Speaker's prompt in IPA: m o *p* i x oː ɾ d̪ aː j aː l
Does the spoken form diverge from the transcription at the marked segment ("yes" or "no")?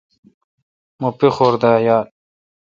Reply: no